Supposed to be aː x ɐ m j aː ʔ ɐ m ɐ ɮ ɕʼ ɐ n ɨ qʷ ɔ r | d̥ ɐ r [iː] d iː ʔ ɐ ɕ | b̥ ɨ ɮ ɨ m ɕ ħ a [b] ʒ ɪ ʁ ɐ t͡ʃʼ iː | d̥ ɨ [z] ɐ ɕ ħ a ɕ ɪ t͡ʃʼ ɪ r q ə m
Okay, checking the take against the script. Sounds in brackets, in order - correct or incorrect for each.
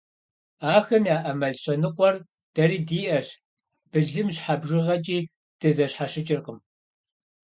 correct, correct, correct

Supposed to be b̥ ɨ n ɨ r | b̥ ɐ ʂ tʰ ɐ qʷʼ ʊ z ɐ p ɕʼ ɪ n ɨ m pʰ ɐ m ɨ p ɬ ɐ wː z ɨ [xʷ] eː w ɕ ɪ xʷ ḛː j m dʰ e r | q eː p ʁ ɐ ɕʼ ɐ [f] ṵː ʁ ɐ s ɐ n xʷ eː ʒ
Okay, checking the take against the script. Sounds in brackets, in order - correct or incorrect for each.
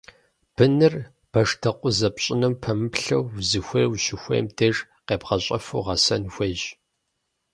correct, correct

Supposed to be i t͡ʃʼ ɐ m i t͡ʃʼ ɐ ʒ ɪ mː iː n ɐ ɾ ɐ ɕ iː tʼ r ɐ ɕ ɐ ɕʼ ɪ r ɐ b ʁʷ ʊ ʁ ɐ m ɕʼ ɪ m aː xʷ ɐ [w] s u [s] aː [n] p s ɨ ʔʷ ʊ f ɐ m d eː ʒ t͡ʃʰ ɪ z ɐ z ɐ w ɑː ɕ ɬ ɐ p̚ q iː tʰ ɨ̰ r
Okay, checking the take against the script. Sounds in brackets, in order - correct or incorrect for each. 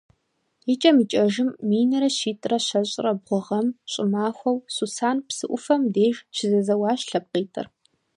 correct, correct, correct

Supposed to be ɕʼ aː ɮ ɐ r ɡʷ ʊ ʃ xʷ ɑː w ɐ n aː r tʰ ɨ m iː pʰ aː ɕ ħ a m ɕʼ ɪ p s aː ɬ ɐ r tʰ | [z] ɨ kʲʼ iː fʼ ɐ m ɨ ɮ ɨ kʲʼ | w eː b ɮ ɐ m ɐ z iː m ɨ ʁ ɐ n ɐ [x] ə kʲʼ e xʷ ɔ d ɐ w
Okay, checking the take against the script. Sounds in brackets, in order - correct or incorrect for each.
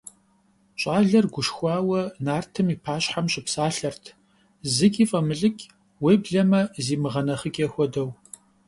correct, incorrect: χ

